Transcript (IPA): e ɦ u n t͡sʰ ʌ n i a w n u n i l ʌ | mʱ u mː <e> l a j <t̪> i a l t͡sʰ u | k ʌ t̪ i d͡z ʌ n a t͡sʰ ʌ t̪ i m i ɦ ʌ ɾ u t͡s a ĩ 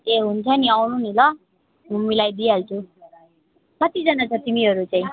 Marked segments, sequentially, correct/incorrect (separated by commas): incorrect, incorrect